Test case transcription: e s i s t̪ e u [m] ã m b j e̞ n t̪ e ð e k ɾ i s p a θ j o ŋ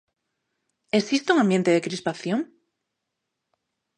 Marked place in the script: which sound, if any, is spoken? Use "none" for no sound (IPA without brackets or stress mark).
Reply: ŋ